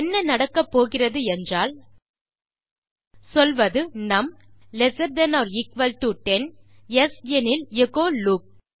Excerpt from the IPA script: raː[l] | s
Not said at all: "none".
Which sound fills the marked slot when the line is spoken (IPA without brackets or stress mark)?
l